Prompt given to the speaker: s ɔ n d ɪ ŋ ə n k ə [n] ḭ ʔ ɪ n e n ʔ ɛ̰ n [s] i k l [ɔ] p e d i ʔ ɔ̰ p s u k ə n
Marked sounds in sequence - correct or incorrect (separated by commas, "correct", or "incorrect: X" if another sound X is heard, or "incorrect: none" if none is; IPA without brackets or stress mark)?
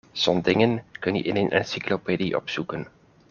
correct, correct, incorrect: o